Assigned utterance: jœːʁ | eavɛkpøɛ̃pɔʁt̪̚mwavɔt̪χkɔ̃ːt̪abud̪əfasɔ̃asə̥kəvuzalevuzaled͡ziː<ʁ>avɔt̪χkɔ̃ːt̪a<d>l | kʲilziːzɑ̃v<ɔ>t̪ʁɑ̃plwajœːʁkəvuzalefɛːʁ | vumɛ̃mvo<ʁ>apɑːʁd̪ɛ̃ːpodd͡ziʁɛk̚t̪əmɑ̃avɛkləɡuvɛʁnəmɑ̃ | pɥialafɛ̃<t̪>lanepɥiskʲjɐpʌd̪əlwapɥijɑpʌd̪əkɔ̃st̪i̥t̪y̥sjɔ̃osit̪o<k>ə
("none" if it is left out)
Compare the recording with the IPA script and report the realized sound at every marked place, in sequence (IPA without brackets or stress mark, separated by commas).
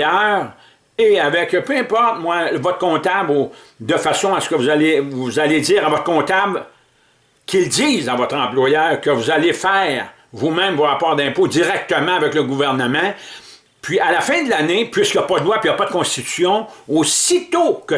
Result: ʁ, b, ɔ, ʁ, d̪, k